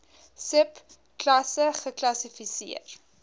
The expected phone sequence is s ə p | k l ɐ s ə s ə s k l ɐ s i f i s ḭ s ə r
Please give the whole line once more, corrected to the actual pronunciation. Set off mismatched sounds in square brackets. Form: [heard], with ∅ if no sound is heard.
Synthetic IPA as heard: s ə p | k l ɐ s ə [χ] ə [∅] k l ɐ s i f i s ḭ [∅] ə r